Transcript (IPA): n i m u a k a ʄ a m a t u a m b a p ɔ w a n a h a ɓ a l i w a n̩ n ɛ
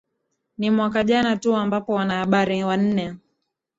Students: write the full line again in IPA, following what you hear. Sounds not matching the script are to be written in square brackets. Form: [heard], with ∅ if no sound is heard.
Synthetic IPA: n i m [w] a k a ʄ a [n] a t u a m b a p ɔ w a n a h a ɓ a [ɾ] i w a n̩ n ɛ